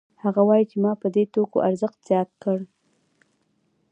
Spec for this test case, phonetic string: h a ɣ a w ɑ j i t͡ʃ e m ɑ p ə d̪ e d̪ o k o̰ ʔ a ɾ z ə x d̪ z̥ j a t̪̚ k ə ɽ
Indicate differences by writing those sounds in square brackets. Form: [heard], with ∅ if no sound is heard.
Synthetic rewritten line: h a ɣ a w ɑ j i t͡ʃ e m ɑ p ə d̪ e [t̪] o k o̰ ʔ a ɾ z ə x [t̪] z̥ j [ɑ] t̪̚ k ə ɽ